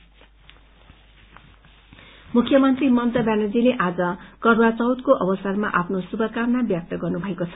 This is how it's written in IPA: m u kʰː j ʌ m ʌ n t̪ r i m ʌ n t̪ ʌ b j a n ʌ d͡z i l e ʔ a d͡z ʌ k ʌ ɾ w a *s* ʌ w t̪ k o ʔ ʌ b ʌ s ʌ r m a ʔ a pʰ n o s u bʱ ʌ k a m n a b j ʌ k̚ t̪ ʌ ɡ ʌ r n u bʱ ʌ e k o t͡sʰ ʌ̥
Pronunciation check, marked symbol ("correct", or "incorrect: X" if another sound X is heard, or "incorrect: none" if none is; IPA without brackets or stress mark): incorrect: t͡s